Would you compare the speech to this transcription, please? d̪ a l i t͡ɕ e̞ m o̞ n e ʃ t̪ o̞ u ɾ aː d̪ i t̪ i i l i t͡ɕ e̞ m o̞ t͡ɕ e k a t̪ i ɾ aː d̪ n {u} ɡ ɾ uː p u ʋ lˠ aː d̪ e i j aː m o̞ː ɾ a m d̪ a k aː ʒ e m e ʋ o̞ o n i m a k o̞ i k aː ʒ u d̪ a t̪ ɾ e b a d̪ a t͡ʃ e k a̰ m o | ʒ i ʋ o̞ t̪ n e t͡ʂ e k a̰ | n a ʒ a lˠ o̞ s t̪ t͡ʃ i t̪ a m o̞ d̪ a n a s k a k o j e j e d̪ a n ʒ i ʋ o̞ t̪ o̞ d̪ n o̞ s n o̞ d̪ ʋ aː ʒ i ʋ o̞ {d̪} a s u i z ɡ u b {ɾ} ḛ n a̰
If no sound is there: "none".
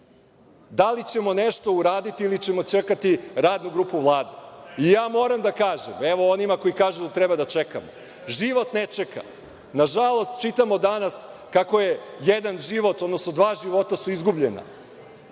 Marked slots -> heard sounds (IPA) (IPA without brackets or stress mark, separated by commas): u, t̪, ʎ